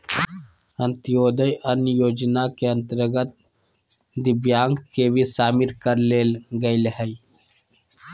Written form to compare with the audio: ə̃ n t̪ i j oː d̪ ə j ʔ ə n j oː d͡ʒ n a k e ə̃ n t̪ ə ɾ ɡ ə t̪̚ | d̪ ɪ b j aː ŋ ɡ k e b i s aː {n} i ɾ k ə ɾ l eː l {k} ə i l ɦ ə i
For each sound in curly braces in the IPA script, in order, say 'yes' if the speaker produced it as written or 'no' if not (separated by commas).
no, no